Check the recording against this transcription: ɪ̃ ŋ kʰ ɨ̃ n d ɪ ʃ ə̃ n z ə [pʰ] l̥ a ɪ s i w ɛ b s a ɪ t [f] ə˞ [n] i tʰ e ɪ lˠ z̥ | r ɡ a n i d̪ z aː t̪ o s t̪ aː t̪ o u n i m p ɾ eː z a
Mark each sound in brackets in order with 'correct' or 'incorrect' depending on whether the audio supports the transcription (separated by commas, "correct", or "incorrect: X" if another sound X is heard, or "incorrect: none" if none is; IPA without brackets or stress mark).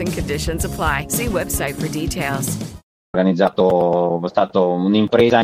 correct, correct, incorrect: d